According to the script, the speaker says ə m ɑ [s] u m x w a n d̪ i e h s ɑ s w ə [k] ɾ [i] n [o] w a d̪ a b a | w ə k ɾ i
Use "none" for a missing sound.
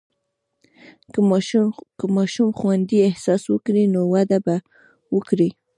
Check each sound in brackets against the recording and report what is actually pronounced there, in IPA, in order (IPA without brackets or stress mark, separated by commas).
ʃ, k, i, o